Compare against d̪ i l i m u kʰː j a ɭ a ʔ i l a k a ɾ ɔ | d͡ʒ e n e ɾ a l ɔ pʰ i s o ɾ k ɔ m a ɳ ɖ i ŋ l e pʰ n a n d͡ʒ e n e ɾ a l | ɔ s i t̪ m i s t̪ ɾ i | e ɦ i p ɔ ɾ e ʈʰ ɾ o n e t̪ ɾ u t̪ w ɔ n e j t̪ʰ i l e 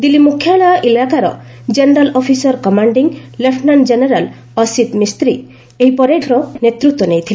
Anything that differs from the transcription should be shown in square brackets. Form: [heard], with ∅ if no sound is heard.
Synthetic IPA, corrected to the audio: d̪ i l i m u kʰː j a ɭ a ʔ i l a k a ɾ ɔ | d͡ʒ e n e ɾ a l ɔ pʰ i s [ɔ] ɾ k ɔ m a ɳ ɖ i ŋ l e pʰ n a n d͡ʒ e n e ɾ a l | ɔ s i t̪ m i s t̪ ɾ i | e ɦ i p ɔ ɾ e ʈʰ ɾ [ɔ] n e t̪ ɾ u t̪ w ɔ n e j t̪ʰ i l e